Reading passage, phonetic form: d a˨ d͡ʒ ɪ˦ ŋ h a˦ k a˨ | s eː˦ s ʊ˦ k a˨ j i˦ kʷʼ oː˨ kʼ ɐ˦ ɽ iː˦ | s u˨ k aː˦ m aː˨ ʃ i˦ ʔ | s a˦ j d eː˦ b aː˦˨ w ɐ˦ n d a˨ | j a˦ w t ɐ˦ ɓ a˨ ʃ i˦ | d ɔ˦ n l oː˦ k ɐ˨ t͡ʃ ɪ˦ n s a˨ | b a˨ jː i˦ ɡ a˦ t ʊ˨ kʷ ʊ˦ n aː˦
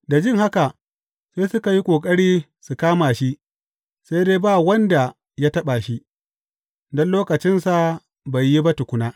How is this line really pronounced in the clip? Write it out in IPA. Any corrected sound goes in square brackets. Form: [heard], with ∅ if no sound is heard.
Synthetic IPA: d a˨ d͡ʒ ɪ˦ ŋ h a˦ k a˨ | s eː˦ s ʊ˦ k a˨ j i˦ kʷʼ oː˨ kʼ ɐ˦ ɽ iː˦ | s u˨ k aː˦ m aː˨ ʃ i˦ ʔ | s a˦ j d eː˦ b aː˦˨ w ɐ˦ n d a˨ | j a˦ [∅] t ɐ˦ ɓ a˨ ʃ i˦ | d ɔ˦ n l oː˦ k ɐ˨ t͡ʃ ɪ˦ n s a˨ | b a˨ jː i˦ [b] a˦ t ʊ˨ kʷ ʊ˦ n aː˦